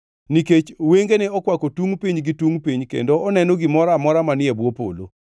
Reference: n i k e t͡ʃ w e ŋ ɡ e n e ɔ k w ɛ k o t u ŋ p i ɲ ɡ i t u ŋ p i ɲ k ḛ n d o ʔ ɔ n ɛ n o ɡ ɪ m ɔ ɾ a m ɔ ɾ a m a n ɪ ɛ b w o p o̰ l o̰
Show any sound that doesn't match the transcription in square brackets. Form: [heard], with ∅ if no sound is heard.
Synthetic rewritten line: n i k e t͡ʃ w e ŋ ɡ e n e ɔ k w [a] k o t u ŋ p i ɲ ɡ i t u ŋ p i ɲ k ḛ n d o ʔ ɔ n ɛ n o ɡ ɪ m ɔ ɾ a m ɔ ɾ a m a n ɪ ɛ b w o p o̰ l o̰

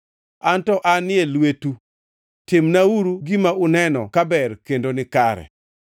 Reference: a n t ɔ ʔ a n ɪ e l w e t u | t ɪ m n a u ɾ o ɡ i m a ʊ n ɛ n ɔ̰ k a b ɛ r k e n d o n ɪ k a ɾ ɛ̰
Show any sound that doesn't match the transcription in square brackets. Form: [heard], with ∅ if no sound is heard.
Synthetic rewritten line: a n t ɔ ʔ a n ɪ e l w e t u | t ɪ m n a u ɾ [u] ɡ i m a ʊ n ɛ n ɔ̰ k a b ɛ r k e n d o n ɪ k a ɾ ɛ̰

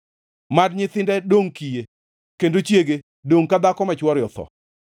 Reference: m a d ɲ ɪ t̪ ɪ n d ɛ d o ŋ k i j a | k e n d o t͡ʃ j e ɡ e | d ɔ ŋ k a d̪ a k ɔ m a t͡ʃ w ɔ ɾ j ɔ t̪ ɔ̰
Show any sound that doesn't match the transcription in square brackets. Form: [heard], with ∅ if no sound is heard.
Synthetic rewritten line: m a d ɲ ɪ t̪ ɪ n d ɛ d o ŋ k i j [e] | k e n d o t͡ʃ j e ɡ e | d [o] ŋ k a d̪ a k ɔ m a t͡ʃ w ɔ ɾ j ɔ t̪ ɔ̰

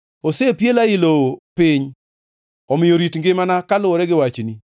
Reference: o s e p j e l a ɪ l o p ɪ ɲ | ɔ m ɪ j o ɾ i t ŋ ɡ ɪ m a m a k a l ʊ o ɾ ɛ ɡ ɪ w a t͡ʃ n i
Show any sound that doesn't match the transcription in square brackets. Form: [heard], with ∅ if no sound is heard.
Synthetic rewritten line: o s e p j e l a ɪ l o p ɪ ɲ | ɔ m ɪ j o ɾ i t ŋ ɡ ɪ m a [n] a k a l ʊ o ɾ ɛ ɡ ɪ w a t͡ʃ n i

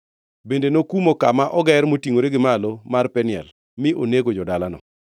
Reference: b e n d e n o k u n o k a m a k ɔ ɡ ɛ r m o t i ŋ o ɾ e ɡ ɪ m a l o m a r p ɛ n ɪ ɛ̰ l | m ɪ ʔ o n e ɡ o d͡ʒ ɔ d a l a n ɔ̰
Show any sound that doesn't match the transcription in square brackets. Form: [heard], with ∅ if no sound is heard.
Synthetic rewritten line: b e n d e n o k u [m] o k a m a [ʔ] ɔ ɡ ɛ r m o t i ŋ o ɾ e ɡ ɪ m a l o m a r p ɛ n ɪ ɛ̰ l | m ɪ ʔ o n e ɡ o d͡ʒ ɔ d a l a n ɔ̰

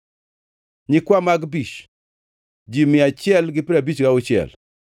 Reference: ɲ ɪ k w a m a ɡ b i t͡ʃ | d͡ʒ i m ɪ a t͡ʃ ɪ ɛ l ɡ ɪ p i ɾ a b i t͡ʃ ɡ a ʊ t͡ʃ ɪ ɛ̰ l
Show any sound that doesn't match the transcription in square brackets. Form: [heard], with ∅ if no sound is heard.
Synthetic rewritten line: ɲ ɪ k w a m a ɡ b i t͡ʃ | d͡ʒ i m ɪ a t͡ʃ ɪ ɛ l ɡ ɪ p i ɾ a b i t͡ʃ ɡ a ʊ t͡ʃ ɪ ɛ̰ l

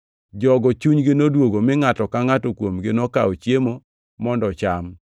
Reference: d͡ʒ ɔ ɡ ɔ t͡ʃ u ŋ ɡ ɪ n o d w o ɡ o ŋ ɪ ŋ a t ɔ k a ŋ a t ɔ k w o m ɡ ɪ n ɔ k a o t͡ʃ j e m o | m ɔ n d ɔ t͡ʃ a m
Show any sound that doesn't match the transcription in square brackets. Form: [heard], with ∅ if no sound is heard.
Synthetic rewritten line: d͡ʒ ɔ ɡ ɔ t͡ʃ u [ɲ] ɡ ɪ n o d w o ɡ o [m] ɪ ŋ a t ɔ k a ŋ a t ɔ k w o m ɡ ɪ n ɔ k a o t͡ʃ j e m o | m ɔ n d ɔ t͡ʃ a m

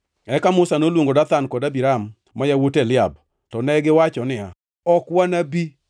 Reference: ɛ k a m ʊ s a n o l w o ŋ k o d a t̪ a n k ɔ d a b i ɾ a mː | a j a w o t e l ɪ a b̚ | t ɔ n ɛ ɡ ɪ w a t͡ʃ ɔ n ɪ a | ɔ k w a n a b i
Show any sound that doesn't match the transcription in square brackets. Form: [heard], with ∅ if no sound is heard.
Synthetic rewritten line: ɛ k a m ʊ s a n o l w o ŋ [ɡ] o d a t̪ a n k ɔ d a b i ɾ a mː | a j a w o t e l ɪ a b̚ | t ɔ n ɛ ɡ ɪ w a t͡ʃ ɔ n ɪ a | ɔ k w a n a b i

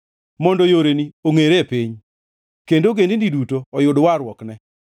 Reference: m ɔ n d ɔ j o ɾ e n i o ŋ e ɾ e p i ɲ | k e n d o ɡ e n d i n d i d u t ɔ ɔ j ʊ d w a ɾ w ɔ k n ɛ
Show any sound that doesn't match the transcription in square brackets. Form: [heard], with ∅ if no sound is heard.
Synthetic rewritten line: m ɔ n d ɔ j o ɾ e n i o ŋ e ɾ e p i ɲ | k e n d o ɡ e n d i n d i d u t [o] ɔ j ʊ d w a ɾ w ɔ k n ɛ

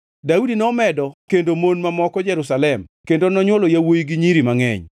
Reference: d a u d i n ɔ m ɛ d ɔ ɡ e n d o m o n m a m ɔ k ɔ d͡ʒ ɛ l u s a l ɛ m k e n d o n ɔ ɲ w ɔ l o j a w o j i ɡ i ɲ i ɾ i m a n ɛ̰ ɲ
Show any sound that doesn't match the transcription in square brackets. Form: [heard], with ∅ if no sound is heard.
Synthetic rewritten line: d a u d i n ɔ m ɛ d ɔ [k] e n d o m o n m a m ɔ k ɔ d͡ʒ ɛ [ɾ] u s a l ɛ m k e n d o n ɔ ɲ w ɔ l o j a w o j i ɡ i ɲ i ɾ i m a [ŋ] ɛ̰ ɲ

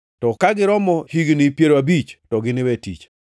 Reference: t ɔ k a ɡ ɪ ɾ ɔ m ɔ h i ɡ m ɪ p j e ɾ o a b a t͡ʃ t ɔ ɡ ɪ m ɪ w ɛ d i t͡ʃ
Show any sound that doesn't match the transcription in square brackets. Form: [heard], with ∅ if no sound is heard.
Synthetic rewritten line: t ɔ k a ɡ ɪ ɾ ɔ m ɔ h i ɡ [n] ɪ p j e ɾ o a b [i] t͡ʃ t ɔ ɡ ɪ [n] ɪ w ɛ [t] i t͡ʃ

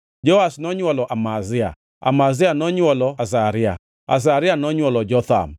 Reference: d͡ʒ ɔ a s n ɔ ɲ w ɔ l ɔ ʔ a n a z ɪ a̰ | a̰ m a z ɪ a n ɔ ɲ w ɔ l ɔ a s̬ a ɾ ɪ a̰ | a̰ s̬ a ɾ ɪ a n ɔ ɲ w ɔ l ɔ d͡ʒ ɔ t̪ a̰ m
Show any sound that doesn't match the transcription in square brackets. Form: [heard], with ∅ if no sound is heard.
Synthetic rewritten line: d͡ʒ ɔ a s n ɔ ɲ w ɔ l ɔ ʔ a [m] a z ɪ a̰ | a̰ m a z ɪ a n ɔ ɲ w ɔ l ɔ a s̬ a ɾ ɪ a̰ | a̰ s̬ a ɾ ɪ a n ɔ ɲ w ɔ l ɔ d͡ʒ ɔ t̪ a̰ m

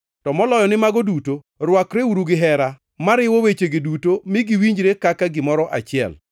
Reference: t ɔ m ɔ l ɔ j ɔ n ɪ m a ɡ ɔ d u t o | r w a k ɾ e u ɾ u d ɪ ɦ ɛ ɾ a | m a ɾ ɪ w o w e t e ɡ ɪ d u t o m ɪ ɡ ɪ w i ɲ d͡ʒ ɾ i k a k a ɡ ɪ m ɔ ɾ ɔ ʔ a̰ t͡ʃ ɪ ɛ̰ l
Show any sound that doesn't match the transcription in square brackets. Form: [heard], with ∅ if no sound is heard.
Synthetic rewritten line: t ɔ m ɔ l ɔ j ɔ n ɪ m a ɡ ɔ d u t o | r w a k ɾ e u ɾ u [ɡ] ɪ ɦ ɛ ɾ a | m a ɾ ɪ w o w e [t͡ʃ] e ɡ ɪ d u t o m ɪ ɡ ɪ w i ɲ d͡ʒ ɾ [e] k a k a ɡ ɪ m ɔ ɾ ɔ ʔ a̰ t͡ʃ ɪ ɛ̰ l

